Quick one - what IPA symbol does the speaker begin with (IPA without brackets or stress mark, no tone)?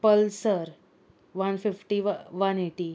p